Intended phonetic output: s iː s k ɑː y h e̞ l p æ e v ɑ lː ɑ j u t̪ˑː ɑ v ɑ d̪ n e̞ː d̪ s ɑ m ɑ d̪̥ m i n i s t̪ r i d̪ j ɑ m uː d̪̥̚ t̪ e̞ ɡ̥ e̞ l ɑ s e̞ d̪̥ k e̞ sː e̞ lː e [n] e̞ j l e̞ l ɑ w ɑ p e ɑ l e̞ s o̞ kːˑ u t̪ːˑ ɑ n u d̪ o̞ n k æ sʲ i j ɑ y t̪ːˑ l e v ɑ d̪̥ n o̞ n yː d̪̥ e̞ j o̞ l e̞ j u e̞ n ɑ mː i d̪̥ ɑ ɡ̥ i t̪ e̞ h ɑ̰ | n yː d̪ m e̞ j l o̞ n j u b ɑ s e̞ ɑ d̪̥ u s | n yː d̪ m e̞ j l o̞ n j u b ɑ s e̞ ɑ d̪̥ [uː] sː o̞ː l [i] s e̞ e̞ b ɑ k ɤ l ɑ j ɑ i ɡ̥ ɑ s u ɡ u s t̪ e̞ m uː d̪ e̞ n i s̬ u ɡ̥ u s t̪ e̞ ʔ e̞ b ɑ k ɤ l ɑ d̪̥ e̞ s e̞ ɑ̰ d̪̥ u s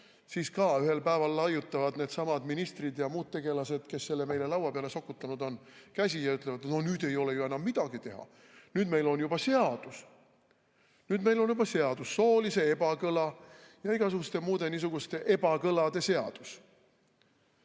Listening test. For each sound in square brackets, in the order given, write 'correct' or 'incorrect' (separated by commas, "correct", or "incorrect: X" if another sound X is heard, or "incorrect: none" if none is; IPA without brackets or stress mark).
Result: incorrect: m, incorrect: u, correct